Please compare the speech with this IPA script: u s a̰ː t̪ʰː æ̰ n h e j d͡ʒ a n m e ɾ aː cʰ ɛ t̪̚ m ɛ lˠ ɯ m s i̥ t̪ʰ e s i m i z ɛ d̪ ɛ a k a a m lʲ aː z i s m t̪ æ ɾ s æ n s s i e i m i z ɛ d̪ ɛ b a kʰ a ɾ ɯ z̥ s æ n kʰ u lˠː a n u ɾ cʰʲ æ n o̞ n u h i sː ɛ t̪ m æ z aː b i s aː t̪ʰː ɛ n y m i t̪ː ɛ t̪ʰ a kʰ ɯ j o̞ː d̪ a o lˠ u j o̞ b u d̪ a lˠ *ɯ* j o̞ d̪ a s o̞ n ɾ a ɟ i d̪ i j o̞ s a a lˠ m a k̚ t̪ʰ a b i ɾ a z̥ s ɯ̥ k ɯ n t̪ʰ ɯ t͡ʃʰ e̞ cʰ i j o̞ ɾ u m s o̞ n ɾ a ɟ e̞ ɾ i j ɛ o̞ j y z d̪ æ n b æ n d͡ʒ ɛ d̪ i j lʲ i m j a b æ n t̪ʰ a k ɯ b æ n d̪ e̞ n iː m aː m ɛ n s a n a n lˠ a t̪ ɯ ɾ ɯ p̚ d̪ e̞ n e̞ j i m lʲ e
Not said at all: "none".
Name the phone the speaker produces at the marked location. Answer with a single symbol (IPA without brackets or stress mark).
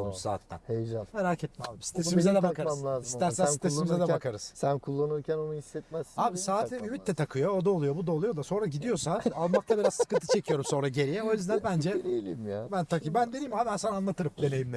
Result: u